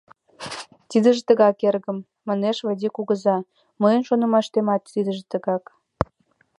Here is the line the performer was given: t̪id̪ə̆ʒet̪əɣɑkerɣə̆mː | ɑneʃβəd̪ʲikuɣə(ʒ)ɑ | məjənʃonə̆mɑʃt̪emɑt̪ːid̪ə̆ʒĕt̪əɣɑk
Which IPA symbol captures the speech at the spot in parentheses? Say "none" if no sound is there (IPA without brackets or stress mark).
z